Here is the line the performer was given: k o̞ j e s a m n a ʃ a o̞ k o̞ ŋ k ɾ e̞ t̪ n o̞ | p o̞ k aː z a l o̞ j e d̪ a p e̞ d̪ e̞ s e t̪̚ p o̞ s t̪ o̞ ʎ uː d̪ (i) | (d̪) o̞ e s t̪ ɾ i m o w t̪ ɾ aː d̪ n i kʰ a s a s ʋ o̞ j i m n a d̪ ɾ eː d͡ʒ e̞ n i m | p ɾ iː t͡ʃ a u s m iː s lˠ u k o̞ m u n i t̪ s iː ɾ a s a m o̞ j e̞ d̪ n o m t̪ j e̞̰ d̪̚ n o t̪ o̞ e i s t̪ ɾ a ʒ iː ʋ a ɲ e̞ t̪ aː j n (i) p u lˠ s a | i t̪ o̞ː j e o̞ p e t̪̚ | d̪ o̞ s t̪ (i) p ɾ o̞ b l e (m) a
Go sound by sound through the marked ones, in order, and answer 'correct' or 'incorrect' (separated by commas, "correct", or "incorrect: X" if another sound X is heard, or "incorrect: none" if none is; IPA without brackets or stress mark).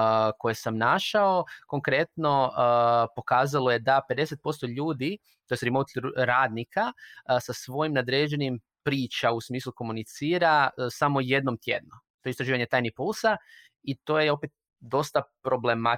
correct, incorrect: t̪, correct, incorrect: a, correct